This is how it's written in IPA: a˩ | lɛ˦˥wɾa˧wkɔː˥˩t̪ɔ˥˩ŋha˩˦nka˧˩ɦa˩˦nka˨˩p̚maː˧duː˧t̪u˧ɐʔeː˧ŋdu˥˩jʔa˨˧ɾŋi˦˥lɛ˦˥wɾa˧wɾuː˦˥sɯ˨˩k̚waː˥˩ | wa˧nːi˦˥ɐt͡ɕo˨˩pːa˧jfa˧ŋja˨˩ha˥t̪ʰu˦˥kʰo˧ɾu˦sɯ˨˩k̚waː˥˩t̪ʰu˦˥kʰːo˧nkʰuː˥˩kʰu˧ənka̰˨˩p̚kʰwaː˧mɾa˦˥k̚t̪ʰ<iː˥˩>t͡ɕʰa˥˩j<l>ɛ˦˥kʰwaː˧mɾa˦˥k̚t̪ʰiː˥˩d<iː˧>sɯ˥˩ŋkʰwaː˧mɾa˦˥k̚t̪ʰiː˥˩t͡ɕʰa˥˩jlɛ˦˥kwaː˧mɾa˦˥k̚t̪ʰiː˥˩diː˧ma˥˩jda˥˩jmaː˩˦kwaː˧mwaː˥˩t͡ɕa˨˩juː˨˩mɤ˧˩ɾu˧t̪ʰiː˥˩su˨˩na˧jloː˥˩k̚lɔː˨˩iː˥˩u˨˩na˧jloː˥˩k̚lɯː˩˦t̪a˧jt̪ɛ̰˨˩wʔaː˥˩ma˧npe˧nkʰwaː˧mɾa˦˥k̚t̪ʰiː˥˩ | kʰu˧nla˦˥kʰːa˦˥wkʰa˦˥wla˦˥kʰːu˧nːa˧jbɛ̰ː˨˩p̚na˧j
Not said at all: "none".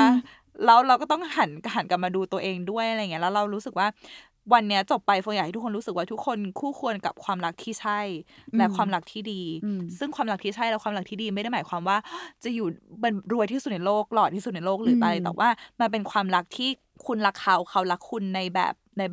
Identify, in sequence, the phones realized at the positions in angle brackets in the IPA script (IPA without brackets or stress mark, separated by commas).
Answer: iː˥˩, l, iː˧